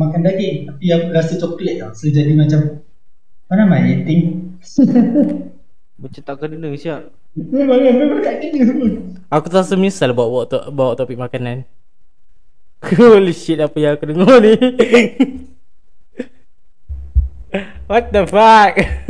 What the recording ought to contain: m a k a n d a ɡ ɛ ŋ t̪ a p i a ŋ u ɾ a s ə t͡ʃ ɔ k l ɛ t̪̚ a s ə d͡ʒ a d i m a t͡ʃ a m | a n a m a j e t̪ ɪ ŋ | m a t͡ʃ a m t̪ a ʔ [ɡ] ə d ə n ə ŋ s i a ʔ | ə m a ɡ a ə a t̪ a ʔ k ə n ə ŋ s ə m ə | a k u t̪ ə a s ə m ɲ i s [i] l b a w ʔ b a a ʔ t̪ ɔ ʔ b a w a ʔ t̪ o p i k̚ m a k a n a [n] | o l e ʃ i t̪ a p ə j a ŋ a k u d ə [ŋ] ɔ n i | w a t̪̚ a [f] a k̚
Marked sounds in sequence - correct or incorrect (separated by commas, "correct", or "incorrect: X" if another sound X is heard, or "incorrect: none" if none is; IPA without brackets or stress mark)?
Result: incorrect: k, incorrect: a, correct, correct, correct